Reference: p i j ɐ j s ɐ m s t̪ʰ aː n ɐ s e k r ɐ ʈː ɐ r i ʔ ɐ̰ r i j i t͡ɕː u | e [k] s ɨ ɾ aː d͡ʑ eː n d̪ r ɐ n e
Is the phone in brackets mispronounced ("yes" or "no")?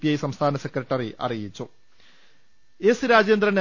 yes